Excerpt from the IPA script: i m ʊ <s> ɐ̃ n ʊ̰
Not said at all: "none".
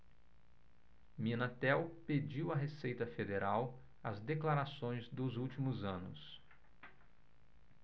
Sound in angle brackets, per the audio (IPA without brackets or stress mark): z